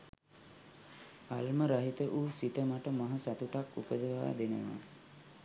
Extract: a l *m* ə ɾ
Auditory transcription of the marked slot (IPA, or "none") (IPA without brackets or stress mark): m